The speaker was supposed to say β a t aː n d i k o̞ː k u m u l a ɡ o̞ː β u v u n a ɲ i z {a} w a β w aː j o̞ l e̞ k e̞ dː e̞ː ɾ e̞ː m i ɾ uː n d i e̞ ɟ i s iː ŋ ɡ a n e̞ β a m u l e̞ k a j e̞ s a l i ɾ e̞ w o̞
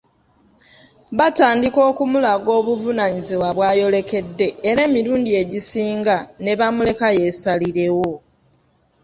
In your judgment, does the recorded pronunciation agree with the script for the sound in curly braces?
no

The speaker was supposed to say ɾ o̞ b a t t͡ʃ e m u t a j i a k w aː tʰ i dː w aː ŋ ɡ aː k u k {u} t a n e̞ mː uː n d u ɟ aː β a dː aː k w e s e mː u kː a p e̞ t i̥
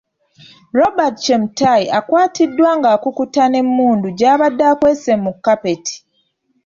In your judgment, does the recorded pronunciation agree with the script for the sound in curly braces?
yes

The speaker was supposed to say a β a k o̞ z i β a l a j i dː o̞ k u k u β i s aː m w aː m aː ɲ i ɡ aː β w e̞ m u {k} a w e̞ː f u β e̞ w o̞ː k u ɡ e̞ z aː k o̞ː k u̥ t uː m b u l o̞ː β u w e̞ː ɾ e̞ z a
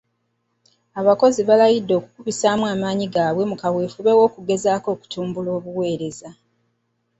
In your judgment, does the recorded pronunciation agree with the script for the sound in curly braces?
yes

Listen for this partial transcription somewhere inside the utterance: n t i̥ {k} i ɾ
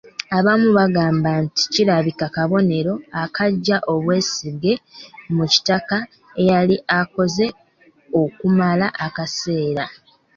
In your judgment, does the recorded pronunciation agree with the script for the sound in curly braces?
no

